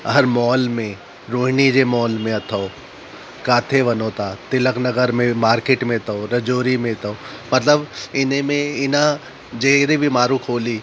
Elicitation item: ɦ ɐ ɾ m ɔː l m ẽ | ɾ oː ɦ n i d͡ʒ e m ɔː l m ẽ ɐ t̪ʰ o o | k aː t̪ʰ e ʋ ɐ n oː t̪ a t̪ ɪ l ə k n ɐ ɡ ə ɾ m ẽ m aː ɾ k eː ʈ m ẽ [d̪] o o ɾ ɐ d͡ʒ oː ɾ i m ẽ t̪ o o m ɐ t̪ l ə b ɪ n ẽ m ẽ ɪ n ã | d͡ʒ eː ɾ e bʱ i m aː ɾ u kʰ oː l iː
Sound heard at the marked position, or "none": t̪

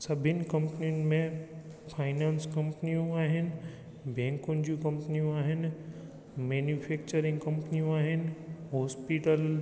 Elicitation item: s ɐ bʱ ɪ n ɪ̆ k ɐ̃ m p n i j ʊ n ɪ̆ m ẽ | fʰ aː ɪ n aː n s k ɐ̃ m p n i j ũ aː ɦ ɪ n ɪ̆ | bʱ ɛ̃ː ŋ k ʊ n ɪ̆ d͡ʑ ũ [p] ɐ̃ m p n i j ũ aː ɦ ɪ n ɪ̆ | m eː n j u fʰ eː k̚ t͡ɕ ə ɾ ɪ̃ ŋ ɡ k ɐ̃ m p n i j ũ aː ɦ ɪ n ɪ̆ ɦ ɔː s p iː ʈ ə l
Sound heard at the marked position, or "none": k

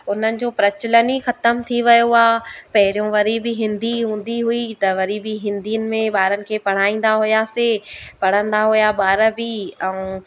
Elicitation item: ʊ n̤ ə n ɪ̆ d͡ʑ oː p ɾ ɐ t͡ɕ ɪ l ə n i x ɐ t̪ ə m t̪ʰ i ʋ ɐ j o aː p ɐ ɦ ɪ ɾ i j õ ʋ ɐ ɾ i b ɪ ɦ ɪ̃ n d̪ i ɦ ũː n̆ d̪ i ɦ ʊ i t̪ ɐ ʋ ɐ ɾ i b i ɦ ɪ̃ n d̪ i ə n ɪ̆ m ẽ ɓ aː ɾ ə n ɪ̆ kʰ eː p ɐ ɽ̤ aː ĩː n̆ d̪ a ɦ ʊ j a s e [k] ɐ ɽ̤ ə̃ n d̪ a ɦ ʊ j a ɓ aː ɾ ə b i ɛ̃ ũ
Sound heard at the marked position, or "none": p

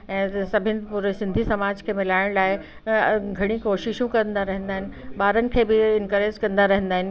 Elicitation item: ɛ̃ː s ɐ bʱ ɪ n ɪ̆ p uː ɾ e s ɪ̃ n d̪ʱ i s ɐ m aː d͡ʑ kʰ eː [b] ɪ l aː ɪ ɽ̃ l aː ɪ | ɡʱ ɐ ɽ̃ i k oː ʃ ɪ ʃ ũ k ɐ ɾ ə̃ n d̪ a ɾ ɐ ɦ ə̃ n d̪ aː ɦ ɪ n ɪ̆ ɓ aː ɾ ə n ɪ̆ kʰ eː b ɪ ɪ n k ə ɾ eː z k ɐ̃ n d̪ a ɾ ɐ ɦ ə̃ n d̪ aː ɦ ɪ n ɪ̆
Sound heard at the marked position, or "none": m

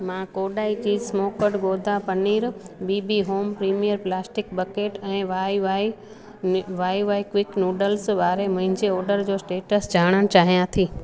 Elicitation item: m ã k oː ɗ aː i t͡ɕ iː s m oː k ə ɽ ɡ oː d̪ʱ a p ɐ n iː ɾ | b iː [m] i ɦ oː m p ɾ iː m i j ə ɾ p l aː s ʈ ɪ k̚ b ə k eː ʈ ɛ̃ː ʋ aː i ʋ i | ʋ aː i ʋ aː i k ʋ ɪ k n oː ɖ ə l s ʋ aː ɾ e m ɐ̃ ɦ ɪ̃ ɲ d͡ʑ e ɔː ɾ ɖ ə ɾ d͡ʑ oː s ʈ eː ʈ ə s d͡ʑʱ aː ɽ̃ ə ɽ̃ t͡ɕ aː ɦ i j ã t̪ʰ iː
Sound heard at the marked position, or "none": b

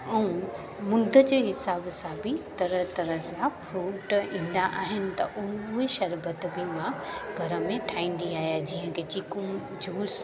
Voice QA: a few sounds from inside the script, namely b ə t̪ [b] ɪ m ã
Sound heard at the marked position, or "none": b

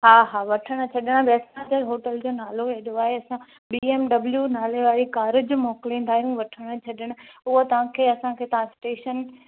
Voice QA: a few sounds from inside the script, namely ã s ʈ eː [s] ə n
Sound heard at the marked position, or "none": ʃ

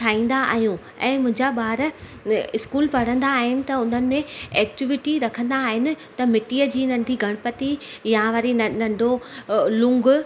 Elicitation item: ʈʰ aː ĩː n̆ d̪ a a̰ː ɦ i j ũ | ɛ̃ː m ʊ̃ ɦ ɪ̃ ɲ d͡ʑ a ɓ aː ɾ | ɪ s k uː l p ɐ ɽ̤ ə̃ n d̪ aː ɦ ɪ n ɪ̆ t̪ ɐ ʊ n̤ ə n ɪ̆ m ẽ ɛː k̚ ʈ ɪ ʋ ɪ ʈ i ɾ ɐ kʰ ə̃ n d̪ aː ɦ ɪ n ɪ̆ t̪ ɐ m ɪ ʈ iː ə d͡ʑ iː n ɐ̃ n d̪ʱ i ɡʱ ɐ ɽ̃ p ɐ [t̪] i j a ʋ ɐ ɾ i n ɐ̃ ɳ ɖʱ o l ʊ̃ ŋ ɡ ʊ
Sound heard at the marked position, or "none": t̪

